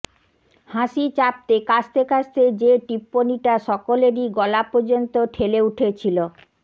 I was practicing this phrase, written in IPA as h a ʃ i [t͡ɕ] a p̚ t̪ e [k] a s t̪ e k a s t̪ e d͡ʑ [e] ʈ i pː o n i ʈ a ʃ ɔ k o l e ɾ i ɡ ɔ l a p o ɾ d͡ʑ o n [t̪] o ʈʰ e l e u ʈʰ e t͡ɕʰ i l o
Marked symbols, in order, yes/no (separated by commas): yes, yes, yes, yes